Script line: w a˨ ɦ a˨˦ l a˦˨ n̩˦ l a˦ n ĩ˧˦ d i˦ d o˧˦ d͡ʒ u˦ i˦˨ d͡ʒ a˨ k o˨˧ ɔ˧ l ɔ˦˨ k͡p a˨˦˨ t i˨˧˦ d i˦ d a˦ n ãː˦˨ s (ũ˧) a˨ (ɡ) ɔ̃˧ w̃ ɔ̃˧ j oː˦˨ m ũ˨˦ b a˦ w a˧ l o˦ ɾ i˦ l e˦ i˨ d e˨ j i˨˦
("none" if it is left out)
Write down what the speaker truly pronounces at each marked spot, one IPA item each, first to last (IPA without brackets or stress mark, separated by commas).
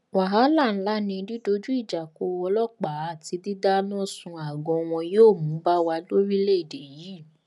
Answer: ũ˧, ɡ